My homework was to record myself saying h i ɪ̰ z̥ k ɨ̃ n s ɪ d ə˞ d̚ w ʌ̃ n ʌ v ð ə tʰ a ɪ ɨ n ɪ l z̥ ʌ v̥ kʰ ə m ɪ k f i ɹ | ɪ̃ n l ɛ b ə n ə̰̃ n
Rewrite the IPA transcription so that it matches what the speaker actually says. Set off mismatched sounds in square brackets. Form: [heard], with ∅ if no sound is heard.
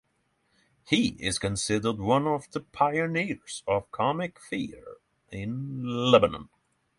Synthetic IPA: h i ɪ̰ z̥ k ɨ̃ n s ɪ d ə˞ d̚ w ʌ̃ n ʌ v ð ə [pʰ] a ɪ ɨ n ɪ [ɹ] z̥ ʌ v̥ kʰ [ɑ] m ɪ k f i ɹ | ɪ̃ n l ɛ b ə n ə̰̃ n